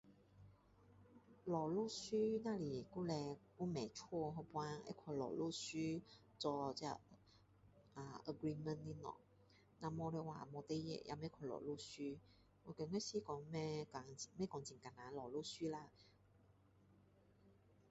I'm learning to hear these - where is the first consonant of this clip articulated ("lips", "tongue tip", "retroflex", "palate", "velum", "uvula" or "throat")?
tongue tip